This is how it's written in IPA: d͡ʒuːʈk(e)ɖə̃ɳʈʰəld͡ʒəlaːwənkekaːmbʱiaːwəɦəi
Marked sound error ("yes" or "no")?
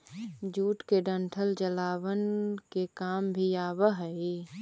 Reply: no